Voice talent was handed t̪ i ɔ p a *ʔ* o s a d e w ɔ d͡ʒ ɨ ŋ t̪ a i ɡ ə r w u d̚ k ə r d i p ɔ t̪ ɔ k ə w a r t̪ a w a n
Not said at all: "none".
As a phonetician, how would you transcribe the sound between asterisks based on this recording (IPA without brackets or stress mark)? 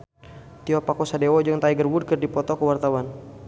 k